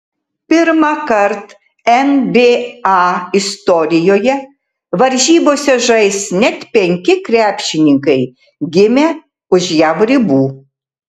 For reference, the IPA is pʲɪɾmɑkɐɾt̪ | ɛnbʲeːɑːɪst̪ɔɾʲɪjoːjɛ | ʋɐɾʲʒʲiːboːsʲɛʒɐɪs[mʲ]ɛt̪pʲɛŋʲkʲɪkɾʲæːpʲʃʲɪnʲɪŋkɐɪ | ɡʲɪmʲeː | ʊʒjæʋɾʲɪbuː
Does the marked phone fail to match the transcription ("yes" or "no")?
yes